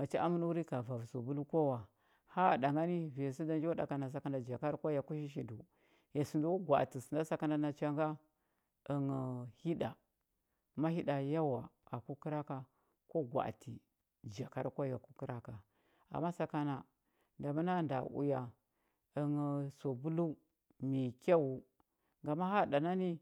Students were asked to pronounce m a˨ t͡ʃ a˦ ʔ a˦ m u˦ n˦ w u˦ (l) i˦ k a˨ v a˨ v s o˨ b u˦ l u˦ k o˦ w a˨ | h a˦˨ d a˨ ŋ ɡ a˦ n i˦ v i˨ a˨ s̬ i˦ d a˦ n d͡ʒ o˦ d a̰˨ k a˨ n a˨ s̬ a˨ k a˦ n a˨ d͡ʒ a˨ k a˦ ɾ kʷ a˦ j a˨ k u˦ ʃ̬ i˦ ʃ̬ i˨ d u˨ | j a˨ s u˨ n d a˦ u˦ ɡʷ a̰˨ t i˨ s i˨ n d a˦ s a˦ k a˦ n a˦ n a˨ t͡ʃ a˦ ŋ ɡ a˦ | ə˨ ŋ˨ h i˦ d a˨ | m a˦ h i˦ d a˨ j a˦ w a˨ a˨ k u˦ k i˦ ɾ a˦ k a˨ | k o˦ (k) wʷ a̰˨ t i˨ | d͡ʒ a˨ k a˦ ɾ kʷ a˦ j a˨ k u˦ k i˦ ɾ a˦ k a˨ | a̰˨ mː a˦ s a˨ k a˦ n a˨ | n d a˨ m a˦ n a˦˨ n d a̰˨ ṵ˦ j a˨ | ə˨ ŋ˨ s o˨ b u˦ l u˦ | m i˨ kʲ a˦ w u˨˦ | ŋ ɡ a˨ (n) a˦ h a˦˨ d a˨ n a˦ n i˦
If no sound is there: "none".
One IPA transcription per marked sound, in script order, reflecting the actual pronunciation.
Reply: ɾ, ɡ, m

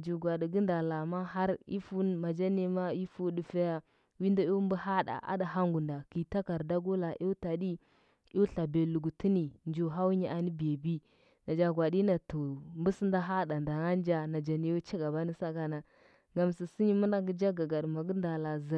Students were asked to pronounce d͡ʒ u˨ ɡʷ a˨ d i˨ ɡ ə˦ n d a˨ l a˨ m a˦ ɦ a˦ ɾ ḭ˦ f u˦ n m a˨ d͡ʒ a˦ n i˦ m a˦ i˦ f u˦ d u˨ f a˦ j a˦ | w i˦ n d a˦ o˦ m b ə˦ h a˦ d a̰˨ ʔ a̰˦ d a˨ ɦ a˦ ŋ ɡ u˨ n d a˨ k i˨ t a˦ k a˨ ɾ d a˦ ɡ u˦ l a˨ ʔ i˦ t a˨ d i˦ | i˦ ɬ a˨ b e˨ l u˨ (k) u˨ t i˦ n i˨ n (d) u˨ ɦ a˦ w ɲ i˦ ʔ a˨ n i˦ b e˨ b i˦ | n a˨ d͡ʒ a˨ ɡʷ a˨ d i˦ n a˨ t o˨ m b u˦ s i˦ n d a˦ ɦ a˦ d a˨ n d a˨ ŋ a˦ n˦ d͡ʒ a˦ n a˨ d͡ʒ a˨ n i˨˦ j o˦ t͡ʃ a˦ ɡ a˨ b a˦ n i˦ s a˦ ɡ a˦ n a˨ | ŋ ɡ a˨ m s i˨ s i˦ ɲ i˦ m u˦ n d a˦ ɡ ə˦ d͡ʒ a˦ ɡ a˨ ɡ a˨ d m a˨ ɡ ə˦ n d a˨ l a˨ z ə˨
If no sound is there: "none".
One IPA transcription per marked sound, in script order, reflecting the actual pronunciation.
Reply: ɡ, d͡ʒ

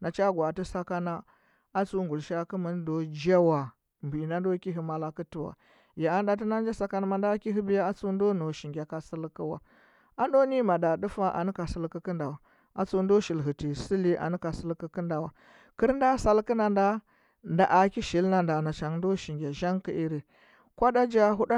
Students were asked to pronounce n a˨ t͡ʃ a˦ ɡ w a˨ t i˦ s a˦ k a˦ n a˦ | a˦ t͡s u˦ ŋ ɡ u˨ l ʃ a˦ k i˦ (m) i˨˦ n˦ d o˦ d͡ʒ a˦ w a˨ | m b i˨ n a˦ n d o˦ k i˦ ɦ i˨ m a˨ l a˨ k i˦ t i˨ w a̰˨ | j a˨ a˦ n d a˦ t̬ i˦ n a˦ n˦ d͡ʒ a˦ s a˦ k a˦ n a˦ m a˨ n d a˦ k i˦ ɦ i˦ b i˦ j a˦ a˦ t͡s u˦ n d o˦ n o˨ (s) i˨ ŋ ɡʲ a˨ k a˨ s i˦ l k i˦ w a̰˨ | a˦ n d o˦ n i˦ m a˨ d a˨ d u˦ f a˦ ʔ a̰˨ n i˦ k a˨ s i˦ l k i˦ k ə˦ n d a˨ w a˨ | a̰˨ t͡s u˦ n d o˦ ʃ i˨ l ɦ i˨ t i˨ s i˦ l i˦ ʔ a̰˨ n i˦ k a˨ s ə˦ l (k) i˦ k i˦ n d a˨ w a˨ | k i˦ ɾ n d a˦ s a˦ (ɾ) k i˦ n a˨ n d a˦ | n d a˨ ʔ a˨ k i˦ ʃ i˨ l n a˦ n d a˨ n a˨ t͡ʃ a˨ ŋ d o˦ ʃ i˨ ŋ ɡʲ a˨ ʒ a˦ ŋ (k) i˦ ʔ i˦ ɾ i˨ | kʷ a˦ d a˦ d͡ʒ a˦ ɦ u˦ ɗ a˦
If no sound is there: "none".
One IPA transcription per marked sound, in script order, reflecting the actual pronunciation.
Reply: m, ʃ, k, l, k

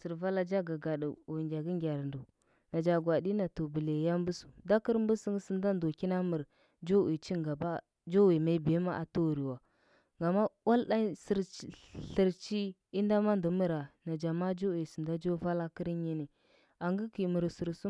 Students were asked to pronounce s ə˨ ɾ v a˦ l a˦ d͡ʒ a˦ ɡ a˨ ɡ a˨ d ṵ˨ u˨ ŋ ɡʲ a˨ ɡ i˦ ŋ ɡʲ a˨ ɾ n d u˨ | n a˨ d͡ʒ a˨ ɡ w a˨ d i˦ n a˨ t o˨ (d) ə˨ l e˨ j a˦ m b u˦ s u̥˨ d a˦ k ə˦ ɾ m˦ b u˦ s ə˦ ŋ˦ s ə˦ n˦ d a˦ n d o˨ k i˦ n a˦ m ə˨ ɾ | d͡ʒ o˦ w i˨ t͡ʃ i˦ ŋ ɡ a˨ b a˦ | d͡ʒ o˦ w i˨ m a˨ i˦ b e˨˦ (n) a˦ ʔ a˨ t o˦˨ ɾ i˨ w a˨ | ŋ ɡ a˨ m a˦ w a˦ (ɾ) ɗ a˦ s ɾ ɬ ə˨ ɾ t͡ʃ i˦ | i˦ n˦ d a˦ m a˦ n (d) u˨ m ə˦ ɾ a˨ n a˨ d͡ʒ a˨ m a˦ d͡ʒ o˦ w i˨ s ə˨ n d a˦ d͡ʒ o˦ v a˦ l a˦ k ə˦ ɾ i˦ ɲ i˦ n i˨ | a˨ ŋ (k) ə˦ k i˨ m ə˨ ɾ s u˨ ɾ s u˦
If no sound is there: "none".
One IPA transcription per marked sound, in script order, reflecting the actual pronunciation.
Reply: b, m, l, d, ɡ

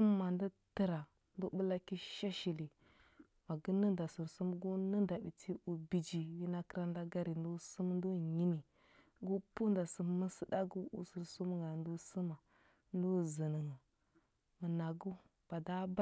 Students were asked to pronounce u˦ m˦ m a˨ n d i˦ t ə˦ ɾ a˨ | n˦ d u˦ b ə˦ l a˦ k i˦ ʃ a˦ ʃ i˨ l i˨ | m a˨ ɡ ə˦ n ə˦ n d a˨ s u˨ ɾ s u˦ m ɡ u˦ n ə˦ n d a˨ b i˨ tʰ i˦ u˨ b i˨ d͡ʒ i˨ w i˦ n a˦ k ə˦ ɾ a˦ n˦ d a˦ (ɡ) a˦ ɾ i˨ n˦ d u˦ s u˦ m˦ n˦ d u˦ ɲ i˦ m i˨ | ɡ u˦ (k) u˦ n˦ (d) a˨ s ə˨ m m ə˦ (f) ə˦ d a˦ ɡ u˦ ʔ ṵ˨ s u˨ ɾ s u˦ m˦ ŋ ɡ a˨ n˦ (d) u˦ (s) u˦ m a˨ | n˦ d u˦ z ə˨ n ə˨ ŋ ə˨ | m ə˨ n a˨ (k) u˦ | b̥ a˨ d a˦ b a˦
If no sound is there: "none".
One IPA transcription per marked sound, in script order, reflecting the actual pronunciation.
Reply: ɡ, p, d, s, d, s, ɡ

